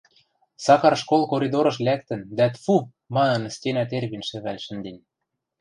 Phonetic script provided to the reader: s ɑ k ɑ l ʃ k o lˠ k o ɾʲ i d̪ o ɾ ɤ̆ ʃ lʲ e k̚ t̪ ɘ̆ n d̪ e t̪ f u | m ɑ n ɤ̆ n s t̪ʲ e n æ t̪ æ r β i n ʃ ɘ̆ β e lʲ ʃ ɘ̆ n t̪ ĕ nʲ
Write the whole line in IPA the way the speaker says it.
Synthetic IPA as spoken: s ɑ k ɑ r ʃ k o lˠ k o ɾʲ i d̪ o ɾ ɤ̆ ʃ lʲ æ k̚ t̪ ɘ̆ n d̪ æ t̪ f u | m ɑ n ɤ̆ n s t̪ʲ e n æ t̪ e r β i n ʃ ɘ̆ β æ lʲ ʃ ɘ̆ n d̪ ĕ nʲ